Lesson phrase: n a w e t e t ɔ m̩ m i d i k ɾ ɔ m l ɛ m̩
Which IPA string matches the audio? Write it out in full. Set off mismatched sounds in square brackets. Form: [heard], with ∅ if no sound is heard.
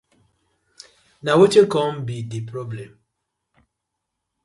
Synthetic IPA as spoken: n a w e [t͡ʃ] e [k] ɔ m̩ [b] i d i [p] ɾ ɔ [b] l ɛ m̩

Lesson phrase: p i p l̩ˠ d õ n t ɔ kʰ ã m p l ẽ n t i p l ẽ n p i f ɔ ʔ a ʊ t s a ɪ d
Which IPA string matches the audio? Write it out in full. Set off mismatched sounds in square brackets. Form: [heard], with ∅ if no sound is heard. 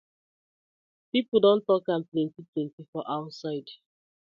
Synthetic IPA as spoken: p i p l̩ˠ d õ n t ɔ [k] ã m p l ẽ n t i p l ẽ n [t] i f ɔ ʔ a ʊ t s a ɪ d

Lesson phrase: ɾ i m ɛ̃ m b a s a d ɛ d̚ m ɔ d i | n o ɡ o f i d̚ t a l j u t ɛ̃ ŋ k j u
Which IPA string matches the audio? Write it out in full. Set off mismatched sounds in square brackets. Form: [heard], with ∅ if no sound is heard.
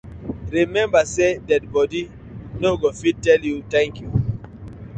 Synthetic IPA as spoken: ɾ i m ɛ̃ m b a s [e] d ɛ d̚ [b] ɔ d i | n o ɡ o f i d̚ t [ɛ] l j u t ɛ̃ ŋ k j u

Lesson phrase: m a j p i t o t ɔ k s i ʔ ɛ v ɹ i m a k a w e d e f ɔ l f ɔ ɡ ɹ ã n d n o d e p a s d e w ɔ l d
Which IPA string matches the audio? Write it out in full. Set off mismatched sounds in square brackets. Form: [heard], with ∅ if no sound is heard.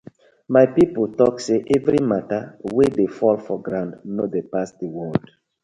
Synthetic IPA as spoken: m a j p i [p] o t ɔ k s [e] ʔ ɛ v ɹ i m a [t] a w e d e f ɔ l f ɔ ɡ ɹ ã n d n o d e p a s d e w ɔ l d

